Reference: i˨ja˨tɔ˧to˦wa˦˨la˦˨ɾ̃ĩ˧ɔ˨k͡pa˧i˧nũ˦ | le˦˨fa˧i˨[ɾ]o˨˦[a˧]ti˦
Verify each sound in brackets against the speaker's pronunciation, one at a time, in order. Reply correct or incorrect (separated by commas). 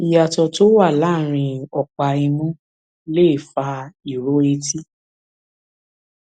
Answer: correct, incorrect